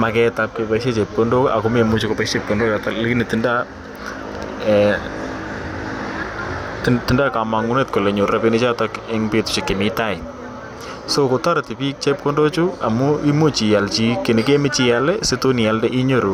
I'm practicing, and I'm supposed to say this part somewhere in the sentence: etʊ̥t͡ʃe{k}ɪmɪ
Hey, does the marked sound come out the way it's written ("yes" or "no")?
yes